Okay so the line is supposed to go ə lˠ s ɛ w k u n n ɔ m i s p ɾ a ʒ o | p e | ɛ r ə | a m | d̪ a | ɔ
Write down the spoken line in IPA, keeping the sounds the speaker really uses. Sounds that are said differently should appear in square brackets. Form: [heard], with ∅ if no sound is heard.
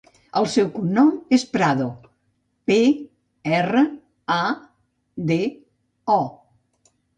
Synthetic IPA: ə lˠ s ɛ w k u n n ɔ m [e] s p ɾ a [ð] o | p e | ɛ r ə | a [∅] | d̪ [e] | ɔ

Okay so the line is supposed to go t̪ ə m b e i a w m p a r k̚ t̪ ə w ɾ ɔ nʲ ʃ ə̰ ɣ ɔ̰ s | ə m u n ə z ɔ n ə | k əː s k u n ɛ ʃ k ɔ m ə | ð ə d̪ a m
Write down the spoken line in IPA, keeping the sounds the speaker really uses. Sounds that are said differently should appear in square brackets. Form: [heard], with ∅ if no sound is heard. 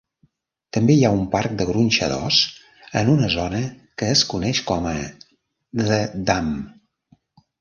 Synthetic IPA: t̪ ə m b e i a [u] m p a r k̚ [d̪] ə [ɣ] ɾ [u] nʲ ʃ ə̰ [ð] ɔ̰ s | ə [n] u n ə z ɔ n ə | k əː s k u n ɛ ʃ k ɔ m ə | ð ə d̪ a m

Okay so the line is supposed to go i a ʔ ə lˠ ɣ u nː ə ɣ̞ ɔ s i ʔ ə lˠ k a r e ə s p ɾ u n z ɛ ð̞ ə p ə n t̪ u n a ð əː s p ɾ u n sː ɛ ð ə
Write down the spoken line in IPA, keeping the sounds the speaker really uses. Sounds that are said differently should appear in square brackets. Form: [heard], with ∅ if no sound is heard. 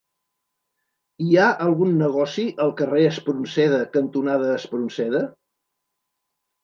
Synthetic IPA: i a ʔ ə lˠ ɣ u nː ə ɣ̞ ɔ s i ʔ ə lˠ k [ə] r e ə s p ɾ u n [s] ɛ ð̞ ə [k] ə n t̪ u n a ð əː s p ɾ u n [s] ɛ ð ə

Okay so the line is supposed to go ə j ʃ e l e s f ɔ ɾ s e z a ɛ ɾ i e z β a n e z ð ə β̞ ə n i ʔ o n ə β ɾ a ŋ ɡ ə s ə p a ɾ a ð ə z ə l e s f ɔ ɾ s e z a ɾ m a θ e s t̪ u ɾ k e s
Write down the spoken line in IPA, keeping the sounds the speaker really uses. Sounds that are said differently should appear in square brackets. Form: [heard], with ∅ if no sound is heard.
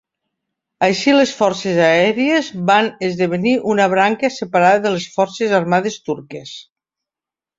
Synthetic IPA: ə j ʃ [i] l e s f ɔ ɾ s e z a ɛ ɾ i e z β a n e z ð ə β̞ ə n i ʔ [u] n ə β ɾ a ŋ [k] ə s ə p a ɾ a ð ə [ð] ə l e s f ɔ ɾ s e z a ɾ m a [ð] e s t̪ u ɾ k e s

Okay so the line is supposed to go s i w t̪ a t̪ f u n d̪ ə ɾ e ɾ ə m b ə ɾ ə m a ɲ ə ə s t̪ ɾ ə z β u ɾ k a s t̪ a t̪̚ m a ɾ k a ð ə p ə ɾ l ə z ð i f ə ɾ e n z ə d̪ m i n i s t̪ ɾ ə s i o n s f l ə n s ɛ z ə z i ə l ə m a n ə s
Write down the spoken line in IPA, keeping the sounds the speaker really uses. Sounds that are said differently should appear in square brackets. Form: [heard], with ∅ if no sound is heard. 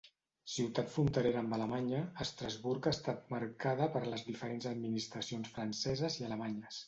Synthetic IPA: s i w t̪ a t̪ f u n [t̪] ə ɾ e ɾ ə m b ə [l] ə m a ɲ ə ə s t̪ ɾ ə z β u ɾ k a s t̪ a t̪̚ m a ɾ k a ð ə p ə ɾ l ə z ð i f ə ɾ e n z ə d̪ m i n i s t̪ ɾ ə s i o n s f [ɾ] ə n s ɛ z ə z i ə l ə m a [ɲ] ə s

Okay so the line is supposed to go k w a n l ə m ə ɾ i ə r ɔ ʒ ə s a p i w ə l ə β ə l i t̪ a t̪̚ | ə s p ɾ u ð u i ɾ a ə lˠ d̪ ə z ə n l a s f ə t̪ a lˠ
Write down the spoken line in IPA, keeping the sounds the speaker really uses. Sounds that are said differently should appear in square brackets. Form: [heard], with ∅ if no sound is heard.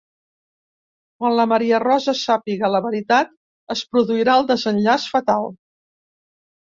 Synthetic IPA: k w a n l ə m ə ɾ i ə r ɔ [z] ə s a p i [ɣ] ə l ə β ə [ɾ] i t̪ a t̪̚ | ə s p ɾ u ð u i ɾ a ə lˠ d̪ ə z ə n [ʎ] a s f ə t̪ a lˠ

